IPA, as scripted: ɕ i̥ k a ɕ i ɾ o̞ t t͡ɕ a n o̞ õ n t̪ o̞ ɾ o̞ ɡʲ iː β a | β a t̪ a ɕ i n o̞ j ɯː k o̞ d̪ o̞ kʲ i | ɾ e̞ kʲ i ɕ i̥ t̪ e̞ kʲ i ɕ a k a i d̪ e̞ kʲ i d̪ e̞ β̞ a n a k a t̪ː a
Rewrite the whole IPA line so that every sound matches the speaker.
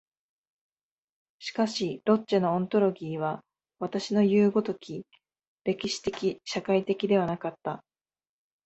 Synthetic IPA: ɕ i̥ k a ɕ i ɾ o̞ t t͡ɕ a n o̞ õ n t̪ o̞ ɾ o̞ ɡʲ iː β a | β a t̪ a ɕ i n o̞ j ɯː ɡ o̞ t̪ o̞ kʲ i | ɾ e̞ kʲ i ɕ i̥ t̪ e̞ kʲ i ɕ a k a i t̪ e̞ kʲ i d̪ e̞ β̞ a n a k a t̪ː a